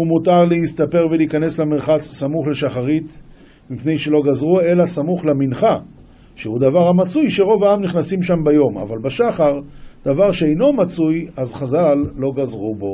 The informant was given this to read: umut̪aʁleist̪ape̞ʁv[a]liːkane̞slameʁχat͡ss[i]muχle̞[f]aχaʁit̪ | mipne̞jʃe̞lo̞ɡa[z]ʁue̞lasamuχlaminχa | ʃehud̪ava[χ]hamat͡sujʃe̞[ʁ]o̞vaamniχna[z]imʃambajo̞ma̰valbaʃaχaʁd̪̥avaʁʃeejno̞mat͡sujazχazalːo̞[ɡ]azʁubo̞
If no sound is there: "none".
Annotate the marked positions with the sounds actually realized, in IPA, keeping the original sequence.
e, a, ʃ, z, ʁ, ʁ, s, ɡ

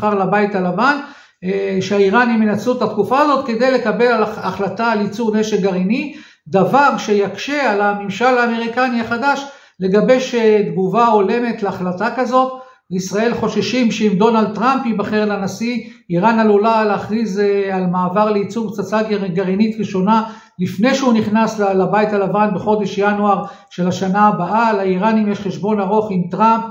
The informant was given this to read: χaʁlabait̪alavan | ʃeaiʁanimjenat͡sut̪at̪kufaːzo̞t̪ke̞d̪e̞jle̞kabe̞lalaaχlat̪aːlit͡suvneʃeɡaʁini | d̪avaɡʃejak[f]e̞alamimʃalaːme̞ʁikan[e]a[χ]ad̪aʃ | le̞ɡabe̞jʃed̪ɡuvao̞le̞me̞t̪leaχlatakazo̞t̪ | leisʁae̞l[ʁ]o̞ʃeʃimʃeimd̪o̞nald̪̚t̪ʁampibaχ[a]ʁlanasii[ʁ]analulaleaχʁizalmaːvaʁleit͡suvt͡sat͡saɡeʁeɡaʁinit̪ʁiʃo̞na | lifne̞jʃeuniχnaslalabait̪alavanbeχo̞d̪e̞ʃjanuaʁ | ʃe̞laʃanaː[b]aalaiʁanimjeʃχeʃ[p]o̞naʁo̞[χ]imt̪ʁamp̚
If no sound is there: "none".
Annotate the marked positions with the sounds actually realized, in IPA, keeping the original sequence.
ʃ, i, χ, χ, e, ʁ, b, b, χ

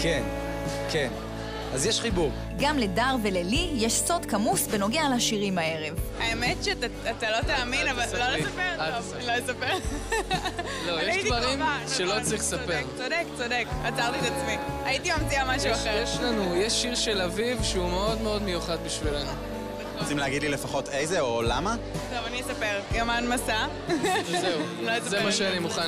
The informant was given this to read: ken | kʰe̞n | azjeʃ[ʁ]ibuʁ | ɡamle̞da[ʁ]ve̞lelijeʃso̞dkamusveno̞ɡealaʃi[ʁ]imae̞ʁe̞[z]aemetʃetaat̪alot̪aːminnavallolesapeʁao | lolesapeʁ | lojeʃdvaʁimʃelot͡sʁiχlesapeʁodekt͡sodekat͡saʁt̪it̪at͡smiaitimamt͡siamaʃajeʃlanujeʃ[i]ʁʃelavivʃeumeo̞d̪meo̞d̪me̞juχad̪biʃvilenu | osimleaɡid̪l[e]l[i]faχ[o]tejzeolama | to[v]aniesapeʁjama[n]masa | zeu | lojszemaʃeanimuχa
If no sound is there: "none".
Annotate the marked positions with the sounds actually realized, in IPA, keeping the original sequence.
χ, ʁ, ʁ, v, i, i, e, o, v, n

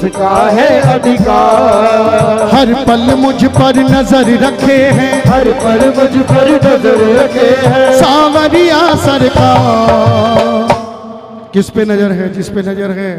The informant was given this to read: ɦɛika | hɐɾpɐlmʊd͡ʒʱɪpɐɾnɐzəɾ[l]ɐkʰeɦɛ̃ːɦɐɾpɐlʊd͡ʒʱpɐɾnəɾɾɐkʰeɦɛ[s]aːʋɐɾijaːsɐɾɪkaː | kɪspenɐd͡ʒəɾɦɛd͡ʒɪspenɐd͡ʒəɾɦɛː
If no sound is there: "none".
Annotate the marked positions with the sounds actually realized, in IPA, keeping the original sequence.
ɾ, s

